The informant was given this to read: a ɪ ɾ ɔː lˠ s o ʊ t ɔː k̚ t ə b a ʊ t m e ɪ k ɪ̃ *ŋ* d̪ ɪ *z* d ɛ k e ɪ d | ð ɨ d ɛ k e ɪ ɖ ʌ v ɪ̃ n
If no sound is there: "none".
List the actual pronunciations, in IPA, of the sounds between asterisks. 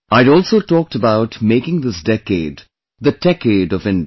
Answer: ŋ, s

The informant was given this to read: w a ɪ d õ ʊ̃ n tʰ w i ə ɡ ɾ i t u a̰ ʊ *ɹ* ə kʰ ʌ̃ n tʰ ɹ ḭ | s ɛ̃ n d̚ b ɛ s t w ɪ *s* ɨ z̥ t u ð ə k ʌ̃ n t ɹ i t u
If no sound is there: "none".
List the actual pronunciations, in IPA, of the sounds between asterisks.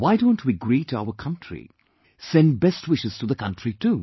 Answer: none, ʃ

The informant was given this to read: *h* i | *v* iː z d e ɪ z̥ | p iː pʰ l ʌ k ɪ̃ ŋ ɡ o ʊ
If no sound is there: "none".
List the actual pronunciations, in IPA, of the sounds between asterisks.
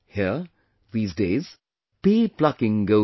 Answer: h, ð

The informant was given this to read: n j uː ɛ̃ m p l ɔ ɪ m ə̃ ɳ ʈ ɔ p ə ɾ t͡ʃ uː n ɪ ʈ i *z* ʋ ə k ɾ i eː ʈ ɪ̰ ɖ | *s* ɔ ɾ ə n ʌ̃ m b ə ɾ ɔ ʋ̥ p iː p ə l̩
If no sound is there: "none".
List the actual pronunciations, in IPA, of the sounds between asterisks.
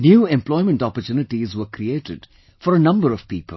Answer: z, f

